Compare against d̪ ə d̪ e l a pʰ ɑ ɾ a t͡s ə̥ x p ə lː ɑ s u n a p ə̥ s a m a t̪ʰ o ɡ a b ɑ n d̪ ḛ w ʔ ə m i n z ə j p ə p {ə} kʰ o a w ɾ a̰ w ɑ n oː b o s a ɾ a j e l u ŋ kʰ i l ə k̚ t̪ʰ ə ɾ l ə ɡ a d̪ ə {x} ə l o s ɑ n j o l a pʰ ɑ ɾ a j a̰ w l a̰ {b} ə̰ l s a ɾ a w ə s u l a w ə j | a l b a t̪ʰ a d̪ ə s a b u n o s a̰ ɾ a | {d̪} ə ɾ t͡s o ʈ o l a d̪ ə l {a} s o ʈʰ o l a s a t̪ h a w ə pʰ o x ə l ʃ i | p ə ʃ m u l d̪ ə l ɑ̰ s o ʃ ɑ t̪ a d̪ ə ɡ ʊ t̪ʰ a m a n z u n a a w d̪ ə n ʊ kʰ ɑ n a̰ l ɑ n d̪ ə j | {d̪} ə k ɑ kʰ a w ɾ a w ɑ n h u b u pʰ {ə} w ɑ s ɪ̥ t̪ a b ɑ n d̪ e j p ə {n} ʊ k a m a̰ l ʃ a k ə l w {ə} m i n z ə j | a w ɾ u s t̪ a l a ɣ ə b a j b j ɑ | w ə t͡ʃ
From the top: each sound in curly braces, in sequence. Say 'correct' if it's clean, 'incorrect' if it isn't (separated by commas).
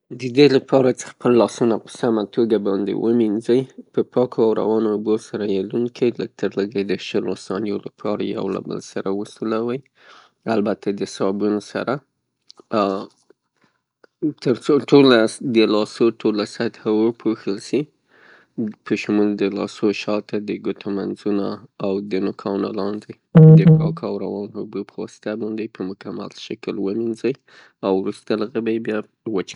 incorrect, incorrect, correct, incorrect, incorrect, correct, correct, incorrect, correct